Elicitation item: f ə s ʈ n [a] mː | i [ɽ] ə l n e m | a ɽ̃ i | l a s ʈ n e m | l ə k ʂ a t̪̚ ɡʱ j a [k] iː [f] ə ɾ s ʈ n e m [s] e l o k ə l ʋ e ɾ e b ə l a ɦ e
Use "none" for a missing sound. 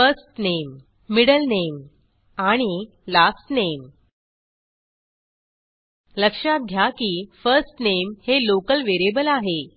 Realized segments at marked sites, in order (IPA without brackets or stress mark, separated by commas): e, ɽ, k, f, h